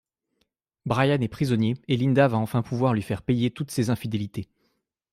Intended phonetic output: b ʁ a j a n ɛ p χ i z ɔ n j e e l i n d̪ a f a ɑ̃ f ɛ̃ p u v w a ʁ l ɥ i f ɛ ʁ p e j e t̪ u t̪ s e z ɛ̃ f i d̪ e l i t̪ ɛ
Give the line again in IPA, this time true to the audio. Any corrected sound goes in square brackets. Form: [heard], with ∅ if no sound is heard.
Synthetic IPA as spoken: b ʁ a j a n ɛ p χ i z ɔ n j e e l i n d̪ a [v] a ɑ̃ f ɛ̃ p u v w a ʁ l ɥ i f ɛ ʁ p e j e t̪ u t̪ s e z ɛ̃ f i d̪ e l i t̪ [e]